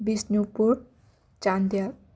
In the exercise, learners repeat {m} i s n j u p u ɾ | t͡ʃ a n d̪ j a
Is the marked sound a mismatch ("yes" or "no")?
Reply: yes